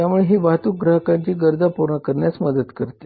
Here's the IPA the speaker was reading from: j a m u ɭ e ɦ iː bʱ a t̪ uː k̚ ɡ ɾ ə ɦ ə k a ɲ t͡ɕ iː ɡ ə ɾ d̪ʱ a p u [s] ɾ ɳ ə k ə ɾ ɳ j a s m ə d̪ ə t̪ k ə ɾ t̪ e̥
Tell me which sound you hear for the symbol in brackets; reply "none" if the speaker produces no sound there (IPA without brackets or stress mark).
none